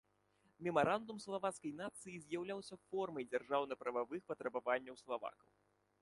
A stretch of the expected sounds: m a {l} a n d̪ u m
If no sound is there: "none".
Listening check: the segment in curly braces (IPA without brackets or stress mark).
ɾ